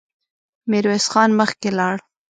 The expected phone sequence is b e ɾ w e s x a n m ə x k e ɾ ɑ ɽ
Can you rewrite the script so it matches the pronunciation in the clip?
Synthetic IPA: m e ɾ w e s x ɑ n m ə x k e l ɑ ɽ